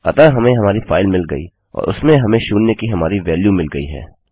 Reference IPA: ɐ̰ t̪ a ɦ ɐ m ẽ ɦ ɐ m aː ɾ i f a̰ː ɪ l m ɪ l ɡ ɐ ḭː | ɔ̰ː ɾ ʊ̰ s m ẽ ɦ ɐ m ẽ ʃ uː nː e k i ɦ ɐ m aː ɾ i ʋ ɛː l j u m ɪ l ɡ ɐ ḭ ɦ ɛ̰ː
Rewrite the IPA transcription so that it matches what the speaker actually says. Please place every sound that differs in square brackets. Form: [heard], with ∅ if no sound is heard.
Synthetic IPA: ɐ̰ t̪ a ɦ ɐ m ẽ ɦ ɐ m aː ɾ i f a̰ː ɪ l m ɪ l ɡ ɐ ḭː | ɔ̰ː ɾ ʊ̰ s m ẽ ɦ ɐ m ẽ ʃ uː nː e k i ɦ ɐ m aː ɾ i ʋ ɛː l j u m ɪ l ɡ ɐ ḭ ɦ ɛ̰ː